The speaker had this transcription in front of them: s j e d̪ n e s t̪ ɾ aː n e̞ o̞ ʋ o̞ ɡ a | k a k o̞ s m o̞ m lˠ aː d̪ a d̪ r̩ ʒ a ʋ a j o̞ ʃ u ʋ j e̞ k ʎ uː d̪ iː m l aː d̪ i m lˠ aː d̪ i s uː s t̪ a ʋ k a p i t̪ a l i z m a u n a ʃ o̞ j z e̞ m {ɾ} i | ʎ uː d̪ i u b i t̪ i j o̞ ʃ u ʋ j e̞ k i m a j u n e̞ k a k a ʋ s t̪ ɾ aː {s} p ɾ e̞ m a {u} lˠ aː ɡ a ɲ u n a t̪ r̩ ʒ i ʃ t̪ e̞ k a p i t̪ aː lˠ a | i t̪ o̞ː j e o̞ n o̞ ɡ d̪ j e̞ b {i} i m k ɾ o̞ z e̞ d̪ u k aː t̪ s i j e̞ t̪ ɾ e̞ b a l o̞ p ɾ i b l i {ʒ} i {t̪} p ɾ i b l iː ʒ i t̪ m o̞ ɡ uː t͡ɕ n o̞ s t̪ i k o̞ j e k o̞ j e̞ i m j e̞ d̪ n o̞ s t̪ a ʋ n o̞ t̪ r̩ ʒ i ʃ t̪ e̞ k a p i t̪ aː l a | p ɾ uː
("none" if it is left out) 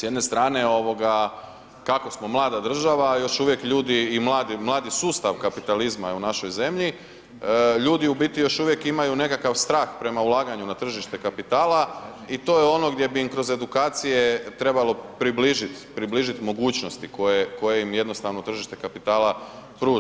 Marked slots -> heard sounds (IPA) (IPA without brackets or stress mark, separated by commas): ʎ, x, u, i, ʒ, t̪